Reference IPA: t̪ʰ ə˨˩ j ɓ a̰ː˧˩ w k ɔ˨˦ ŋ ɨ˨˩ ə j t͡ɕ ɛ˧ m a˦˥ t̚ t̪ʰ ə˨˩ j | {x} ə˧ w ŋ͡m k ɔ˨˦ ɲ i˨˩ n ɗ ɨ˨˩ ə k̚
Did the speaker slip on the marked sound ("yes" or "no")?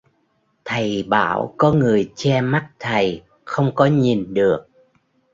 no